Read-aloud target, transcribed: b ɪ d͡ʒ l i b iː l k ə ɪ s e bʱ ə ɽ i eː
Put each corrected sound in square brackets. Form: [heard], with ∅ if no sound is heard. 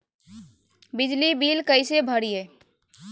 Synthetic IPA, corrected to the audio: b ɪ d͡ʒ l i b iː l k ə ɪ s e bʱ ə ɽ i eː